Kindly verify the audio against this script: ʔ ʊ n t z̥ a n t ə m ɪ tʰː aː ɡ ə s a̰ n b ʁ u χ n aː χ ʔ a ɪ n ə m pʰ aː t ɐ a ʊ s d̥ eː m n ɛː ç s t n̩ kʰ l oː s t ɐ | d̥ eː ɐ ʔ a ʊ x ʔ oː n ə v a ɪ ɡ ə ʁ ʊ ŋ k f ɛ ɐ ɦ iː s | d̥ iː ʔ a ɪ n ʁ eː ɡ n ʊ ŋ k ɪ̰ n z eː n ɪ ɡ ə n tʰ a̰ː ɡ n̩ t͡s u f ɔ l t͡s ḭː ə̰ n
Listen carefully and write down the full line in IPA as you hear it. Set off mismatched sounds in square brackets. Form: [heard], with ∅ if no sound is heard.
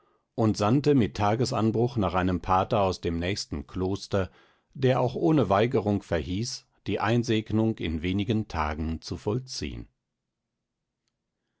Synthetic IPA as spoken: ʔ ʊ n t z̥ a n t ə m ɪ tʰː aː ɡ ə s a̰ n b ʁ [ʊ] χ n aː χ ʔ a ɪ n ə m pʰ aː t ɐ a ʊ s d̥ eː m n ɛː ç s t n̩ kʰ l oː s t ɐ | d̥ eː ɐ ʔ a ʊ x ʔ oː n ə v a ɪ ɡ ə ʁ ʊ ŋ k f ɛ ɐ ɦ iː s | d̥ iː ʔ a ɪ n [z] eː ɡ n ʊ ŋ k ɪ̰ n [v] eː n ɪ ɡ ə n tʰ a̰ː ɡ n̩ t͡s u f ɔ l t͡s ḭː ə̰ n